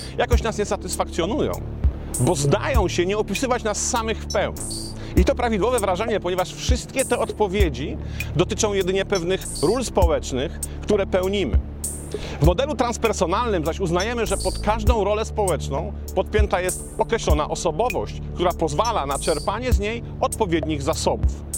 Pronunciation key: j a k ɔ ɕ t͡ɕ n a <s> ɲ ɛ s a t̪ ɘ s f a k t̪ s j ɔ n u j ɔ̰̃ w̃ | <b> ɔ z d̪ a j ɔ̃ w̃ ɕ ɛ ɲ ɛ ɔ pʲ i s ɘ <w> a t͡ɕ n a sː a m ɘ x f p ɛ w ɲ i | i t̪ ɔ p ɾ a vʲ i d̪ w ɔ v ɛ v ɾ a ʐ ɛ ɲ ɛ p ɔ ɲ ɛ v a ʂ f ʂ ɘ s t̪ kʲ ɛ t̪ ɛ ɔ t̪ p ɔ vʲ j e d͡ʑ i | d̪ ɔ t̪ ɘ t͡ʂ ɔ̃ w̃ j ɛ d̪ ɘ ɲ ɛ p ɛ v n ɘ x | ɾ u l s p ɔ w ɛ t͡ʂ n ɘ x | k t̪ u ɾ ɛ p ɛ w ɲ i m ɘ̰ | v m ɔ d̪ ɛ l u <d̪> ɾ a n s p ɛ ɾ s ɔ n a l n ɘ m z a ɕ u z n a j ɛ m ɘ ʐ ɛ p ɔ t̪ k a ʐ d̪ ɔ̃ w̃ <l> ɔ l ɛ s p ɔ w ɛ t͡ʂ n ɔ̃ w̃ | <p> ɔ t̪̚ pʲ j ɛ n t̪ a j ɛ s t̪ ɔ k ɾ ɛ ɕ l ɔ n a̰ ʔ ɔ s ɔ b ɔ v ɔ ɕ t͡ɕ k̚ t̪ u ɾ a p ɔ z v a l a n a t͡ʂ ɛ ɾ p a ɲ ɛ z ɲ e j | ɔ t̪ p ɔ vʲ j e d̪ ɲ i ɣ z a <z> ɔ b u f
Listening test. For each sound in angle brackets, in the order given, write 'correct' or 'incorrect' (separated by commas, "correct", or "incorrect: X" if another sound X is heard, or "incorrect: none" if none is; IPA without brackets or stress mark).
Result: correct, correct, incorrect: v, incorrect: t̪, incorrect: ɾ, correct, incorrect: s